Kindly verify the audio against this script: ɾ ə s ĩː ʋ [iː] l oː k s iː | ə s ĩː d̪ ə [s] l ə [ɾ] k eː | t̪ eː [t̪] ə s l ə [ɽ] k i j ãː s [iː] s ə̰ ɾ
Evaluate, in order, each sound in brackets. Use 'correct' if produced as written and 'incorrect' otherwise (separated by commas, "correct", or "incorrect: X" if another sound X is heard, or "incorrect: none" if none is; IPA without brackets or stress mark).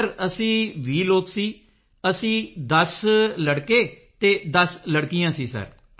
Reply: correct, correct, incorrect: ɽ, incorrect: d̪, correct, correct